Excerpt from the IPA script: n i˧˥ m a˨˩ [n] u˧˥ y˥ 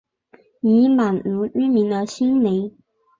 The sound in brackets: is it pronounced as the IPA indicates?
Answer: yes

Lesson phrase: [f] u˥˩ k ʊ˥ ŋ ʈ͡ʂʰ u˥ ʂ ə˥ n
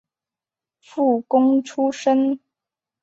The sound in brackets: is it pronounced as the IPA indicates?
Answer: yes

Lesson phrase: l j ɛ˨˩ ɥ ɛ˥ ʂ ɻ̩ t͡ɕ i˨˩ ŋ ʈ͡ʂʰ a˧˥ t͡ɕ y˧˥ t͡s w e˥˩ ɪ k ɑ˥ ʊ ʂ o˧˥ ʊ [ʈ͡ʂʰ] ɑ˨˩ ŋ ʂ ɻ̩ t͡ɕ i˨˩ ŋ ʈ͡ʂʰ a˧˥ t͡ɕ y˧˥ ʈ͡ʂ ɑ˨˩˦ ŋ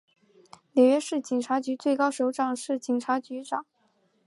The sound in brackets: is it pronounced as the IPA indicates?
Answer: no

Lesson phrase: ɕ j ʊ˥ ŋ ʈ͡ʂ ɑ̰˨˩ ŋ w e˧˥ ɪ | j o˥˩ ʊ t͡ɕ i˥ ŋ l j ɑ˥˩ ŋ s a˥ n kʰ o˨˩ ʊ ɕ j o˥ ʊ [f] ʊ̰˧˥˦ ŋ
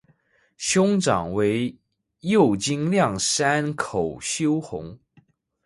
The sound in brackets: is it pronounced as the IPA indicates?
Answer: no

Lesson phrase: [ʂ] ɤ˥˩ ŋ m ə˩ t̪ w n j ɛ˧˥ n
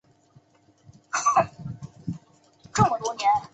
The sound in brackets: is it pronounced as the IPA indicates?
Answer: no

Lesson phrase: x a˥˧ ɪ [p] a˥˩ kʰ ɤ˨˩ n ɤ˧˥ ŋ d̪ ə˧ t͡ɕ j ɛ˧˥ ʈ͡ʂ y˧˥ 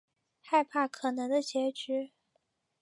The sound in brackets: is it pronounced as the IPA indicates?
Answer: no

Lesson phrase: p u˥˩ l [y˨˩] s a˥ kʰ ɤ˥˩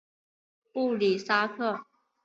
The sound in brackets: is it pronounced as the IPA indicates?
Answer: no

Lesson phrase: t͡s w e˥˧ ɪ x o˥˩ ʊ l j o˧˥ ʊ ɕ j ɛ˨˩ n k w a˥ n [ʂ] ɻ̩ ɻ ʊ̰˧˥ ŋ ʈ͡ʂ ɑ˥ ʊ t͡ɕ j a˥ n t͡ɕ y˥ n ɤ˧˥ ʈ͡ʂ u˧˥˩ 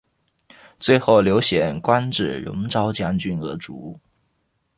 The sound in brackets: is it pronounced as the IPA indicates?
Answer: no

